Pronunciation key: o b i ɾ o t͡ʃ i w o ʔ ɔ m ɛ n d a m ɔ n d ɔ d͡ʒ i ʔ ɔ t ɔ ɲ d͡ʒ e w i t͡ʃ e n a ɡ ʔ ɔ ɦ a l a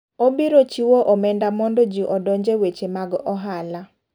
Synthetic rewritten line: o b i ɾ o t͡ʃ i w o ʔ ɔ m ɛ n d a m ɔ n d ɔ d͡ʒ i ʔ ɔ d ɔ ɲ d͡ʒ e w e t͡ʃ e m a ɡ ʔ ɔ ɦ a l a